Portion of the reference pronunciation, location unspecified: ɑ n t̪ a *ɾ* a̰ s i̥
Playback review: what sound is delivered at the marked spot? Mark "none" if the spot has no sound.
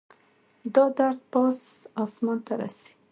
ɾ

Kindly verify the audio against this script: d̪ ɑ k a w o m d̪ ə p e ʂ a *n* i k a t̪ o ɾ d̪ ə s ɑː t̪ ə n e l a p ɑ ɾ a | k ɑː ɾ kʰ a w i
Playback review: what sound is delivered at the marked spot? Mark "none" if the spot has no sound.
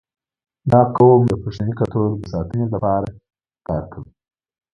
n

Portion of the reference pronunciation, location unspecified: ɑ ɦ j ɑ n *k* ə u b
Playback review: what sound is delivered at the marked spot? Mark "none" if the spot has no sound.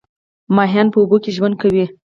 p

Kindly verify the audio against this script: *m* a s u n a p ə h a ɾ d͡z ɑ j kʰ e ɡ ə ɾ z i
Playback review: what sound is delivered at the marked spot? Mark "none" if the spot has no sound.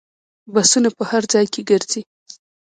b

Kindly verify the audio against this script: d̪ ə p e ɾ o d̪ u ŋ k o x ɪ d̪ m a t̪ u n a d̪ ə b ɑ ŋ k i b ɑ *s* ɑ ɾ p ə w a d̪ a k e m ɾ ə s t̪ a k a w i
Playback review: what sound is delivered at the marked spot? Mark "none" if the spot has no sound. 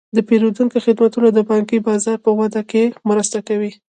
z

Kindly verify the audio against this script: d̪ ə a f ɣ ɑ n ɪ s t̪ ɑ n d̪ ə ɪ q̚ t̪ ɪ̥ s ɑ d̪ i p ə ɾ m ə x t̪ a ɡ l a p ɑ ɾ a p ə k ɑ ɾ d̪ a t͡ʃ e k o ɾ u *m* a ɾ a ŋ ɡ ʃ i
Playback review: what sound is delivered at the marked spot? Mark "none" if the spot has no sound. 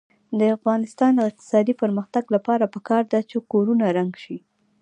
n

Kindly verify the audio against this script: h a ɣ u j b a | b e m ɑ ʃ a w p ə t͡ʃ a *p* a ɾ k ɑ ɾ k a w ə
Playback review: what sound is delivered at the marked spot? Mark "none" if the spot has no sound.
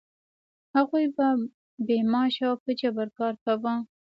b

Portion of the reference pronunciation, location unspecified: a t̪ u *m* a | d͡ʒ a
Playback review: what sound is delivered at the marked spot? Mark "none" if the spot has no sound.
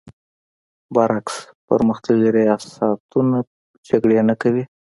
n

